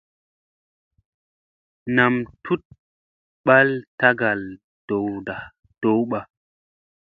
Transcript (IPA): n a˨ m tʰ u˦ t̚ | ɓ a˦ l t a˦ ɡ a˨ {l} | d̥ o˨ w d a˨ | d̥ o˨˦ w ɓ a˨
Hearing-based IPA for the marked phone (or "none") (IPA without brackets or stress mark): l